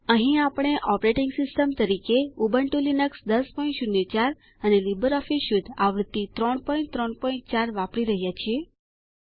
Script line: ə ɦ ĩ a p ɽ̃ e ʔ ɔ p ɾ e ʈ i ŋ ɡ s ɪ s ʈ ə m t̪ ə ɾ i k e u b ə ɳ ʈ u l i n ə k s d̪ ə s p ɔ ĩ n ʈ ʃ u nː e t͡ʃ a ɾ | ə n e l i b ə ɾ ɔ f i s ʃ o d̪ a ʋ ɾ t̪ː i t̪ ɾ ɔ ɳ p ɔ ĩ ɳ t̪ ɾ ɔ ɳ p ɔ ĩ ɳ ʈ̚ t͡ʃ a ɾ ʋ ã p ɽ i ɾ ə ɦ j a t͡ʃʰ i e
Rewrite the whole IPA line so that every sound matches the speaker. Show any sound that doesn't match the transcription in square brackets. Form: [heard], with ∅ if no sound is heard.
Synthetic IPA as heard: ə ɦ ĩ a p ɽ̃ e ʔ ɔ p ɾ e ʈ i ŋ ɡ s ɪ s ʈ ə m t̪ ə ɾ i k e u b ə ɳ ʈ u l i n ə k s d̪ ə s p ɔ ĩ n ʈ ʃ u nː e t͡ʃ a ɾ | ə n e l i b ə ɾ ɔ f i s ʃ [u] d̪ a ʋ ɾ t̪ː i t̪ ɾ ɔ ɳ p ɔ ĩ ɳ t̪ ɾ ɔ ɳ p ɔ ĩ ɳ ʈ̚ t͡ʃ a ɾ ʋ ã p ɽ i ɾ ə ɦ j a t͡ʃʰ i e